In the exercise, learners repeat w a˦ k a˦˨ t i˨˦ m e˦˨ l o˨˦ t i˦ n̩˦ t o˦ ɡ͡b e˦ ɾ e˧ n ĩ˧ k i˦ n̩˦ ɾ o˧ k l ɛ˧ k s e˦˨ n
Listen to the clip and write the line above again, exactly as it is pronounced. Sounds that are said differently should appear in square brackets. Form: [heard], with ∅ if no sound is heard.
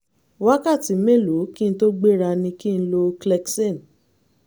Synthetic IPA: w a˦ k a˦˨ t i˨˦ m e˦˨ l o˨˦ [k] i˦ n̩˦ t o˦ ɡ͡b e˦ ɾ [a˧] n ĩ˧ k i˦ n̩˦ [l] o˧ k l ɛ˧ k s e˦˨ n